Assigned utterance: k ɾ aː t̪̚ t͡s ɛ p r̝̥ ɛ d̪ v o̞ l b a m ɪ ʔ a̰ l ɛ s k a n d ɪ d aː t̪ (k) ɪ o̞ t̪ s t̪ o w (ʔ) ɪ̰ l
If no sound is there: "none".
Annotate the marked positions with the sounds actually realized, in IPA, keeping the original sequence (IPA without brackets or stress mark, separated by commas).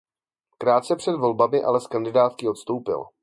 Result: k, p